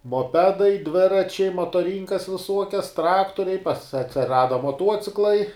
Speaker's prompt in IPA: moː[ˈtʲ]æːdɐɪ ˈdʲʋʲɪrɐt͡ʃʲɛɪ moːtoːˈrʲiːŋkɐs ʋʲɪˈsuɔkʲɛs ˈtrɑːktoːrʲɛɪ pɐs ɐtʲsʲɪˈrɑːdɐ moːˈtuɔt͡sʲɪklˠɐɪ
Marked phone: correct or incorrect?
incorrect